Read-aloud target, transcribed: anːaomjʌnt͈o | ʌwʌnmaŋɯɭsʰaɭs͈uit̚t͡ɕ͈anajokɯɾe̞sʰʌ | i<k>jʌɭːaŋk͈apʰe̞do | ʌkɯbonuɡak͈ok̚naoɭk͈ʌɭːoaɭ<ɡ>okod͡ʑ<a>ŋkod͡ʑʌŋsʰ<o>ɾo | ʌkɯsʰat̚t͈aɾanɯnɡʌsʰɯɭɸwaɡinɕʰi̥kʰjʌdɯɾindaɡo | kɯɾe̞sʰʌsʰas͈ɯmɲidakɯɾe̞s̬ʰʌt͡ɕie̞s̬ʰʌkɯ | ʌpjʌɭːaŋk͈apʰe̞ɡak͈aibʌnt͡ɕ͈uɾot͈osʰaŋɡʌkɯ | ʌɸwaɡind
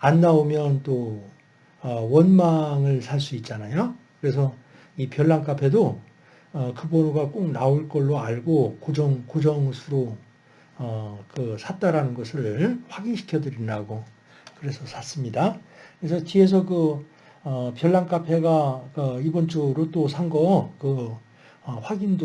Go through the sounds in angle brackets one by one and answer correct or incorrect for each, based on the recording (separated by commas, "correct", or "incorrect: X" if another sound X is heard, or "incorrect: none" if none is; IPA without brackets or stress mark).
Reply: incorrect: p, correct, incorrect: ʌ, incorrect: u